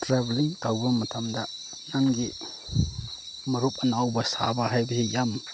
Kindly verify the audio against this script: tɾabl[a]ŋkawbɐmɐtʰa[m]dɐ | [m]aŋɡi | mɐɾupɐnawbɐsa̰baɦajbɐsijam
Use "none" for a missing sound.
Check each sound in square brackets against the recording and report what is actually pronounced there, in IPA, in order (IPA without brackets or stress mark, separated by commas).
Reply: i, m, n